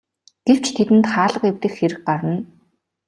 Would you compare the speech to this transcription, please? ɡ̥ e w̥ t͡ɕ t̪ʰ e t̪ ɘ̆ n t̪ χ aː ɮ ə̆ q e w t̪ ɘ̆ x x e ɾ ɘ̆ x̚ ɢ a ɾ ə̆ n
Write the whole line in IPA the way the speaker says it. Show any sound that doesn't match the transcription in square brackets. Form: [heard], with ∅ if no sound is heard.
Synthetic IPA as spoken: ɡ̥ e w̥ t͡ɕ t̪ʰ e t̪ ɘ̆ n t̪ χ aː ɮ ə̆ q e w t̪ ɘ̆ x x e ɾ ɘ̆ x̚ ɢ a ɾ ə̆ n